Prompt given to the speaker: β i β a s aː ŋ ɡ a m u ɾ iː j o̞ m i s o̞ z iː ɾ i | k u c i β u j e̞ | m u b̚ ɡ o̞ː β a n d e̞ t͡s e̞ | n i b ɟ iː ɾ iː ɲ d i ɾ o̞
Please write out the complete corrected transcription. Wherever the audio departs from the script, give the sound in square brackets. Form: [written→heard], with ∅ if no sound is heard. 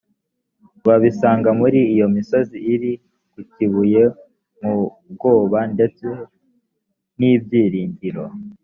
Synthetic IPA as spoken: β [i→a] β [a→i] s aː ŋ ɡ a m u ɾ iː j o̞ m i s o̞ z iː ɾ i | k u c i β u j e̞ | m u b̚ ɡ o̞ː β a n d e̞ t͡s e̞ | n i b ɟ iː ɾ iː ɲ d i ɾ o̞